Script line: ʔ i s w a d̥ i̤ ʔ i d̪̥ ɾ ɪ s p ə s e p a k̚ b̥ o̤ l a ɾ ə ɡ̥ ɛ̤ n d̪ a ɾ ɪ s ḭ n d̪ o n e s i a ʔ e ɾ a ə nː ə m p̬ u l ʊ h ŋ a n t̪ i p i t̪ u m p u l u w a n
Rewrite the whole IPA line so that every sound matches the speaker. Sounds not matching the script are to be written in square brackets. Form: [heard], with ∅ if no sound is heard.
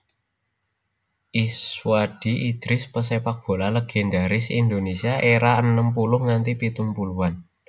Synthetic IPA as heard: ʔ i s w a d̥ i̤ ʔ i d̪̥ ɾ ɪ s p ə s e p a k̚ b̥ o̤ l a [l] ə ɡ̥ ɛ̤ n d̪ a ɾ ɪ s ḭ n d̪ o n e s i a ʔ e ɾ a ə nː ə m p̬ u l ʊ h ŋ a n t̪ i p i t̪ u m p u l u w a n